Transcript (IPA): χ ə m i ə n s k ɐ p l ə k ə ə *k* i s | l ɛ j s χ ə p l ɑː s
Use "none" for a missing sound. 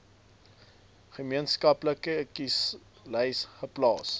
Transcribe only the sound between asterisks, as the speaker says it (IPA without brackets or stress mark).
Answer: k